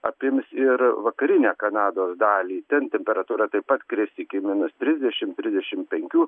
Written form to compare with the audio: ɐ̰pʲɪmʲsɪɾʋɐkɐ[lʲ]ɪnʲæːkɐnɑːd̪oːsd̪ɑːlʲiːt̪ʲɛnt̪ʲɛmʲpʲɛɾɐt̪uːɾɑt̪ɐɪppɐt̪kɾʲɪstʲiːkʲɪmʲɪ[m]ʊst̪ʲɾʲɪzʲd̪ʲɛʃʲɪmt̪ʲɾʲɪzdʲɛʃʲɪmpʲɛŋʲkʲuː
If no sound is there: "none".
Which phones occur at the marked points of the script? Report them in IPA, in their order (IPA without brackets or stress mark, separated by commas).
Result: ɾʲ, n